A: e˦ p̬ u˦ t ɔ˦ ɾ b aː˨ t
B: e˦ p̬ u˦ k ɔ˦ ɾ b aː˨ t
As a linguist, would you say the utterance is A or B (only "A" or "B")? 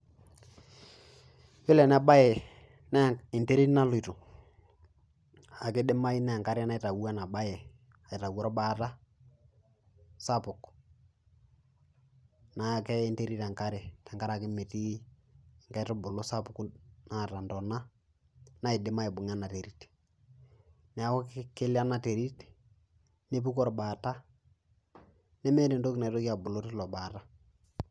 B